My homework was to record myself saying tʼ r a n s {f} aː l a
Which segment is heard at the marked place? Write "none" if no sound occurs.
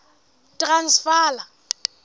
f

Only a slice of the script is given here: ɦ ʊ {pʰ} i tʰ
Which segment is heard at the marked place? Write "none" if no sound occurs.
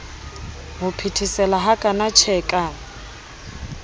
pʰ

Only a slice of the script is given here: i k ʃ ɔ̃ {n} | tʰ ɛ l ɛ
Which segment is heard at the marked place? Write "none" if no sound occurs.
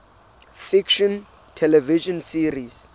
n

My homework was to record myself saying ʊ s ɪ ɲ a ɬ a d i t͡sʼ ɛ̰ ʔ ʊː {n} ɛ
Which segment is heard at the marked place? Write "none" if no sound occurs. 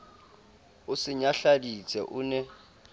n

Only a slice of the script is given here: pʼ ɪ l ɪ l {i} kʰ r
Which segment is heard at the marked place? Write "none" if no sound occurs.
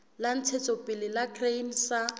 a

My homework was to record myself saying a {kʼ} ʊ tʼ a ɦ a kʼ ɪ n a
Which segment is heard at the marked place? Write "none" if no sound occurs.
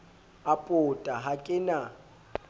pʼ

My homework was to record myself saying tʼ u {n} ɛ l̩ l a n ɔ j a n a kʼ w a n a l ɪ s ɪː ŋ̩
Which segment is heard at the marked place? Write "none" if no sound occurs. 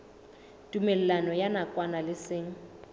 m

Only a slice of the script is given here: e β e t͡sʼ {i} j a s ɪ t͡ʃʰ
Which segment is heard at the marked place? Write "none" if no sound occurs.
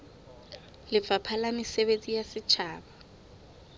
i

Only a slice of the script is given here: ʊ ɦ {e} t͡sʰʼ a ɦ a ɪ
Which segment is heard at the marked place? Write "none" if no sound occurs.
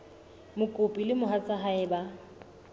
a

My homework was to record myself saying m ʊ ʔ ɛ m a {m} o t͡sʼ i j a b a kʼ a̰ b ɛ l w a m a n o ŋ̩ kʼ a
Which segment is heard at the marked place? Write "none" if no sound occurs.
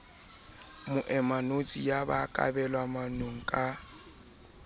n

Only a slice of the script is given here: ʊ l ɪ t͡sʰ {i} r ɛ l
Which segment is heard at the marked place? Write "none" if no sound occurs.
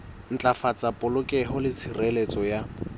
i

